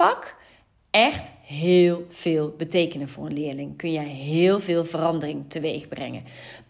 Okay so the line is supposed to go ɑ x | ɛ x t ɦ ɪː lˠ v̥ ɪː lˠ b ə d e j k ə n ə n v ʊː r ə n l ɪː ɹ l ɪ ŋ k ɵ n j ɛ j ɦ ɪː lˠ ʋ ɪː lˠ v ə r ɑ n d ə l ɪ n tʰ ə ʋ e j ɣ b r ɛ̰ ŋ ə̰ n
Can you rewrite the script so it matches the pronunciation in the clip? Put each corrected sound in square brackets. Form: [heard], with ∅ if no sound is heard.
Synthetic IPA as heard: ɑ [k] | ɛ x t ɦ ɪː lˠ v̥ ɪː lˠ b ə [t] e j k ə n ə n v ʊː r ə n l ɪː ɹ l ɪ ŋ k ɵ n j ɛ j ɦ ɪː lˠ [v] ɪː lˠ v ə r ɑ n d ə [r] ɪ [ŋ] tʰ ə ʋ e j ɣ b r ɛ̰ ŋ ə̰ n